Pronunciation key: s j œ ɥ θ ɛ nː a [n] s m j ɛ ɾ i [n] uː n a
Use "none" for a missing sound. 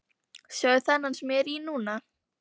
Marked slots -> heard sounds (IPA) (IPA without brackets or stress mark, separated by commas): n, n